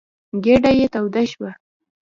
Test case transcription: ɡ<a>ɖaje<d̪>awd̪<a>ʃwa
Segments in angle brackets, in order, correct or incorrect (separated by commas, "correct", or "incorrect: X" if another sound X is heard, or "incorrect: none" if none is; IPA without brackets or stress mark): incorrect: e, incorrect: t̪, correct